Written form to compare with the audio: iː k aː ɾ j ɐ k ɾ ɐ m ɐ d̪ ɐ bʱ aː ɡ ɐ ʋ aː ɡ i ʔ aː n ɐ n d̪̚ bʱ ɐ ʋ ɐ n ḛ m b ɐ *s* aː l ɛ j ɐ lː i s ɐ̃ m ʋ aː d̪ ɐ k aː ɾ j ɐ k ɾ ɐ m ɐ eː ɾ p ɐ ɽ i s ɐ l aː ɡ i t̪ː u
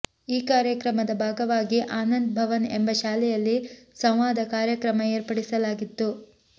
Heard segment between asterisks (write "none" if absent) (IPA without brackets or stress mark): ʃ